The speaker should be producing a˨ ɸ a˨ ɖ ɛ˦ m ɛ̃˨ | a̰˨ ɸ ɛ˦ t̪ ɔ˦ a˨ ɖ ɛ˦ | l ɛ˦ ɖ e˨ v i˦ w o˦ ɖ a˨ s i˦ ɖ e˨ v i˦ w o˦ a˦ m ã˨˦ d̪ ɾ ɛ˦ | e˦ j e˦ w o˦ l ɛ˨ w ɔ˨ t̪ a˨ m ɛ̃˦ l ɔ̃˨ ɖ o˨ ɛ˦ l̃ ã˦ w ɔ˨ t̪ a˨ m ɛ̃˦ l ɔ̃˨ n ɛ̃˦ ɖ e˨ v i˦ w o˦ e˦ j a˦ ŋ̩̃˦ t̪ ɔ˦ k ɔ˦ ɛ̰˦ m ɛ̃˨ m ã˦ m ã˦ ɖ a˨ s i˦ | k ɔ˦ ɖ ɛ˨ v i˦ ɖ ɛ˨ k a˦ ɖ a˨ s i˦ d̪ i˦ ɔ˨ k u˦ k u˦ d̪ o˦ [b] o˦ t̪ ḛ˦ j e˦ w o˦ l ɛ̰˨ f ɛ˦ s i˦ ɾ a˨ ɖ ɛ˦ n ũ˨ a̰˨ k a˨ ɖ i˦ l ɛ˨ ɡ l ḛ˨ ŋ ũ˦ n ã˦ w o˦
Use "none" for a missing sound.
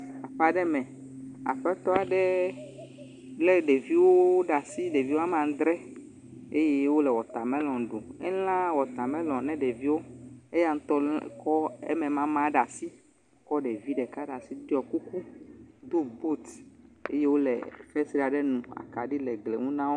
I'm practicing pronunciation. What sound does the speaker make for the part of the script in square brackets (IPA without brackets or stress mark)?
b